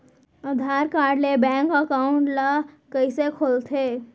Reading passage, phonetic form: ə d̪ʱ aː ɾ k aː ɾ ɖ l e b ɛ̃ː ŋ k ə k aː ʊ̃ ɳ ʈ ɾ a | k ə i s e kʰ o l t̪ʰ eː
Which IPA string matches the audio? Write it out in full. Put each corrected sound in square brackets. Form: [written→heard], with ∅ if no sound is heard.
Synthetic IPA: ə d̪ʱ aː ɾ k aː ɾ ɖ l e b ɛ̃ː ŋ k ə k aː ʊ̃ ɳ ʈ [ɾ→l] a | k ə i s e kʰ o l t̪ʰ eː